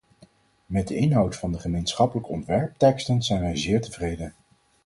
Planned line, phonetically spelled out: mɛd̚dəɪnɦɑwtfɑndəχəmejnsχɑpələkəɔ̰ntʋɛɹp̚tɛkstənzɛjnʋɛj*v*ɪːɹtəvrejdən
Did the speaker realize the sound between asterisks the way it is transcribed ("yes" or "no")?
no